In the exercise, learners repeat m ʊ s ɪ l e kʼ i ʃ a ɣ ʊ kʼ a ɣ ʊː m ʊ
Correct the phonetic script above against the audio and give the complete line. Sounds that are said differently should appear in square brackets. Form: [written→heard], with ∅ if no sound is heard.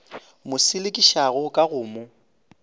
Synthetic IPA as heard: m ʊ s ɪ l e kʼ i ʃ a ɣ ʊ kʼ a ɣ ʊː m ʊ